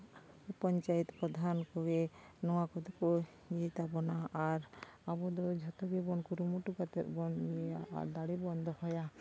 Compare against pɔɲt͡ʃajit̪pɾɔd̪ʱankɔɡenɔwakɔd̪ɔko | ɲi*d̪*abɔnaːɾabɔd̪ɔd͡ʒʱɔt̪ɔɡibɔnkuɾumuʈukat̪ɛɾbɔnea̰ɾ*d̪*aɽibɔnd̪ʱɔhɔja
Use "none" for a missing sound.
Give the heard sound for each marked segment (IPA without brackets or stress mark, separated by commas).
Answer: t̪, d̪